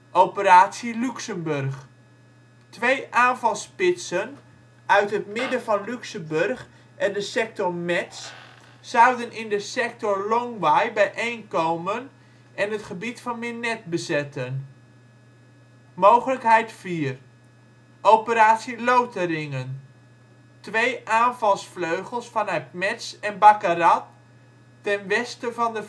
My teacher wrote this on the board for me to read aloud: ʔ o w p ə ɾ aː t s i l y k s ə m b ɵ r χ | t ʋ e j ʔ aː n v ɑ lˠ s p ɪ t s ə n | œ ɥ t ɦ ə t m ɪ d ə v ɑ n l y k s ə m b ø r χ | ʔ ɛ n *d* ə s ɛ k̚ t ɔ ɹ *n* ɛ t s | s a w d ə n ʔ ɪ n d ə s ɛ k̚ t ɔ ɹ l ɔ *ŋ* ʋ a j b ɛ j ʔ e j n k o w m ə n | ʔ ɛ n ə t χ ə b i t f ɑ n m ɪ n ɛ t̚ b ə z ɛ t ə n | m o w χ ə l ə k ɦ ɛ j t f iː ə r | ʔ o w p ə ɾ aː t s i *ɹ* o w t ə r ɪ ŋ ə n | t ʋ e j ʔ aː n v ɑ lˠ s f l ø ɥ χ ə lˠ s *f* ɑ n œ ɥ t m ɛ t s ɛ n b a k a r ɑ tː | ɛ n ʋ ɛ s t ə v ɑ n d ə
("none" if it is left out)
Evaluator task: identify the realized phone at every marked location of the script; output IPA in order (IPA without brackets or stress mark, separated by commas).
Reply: d, m, ŋ, l, f